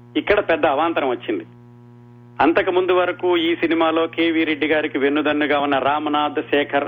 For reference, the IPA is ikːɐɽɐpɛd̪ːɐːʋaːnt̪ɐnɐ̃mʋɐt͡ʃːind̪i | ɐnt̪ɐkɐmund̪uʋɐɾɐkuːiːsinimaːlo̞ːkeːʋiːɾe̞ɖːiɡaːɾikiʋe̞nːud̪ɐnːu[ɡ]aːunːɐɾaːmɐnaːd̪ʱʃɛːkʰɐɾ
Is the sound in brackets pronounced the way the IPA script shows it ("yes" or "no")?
yes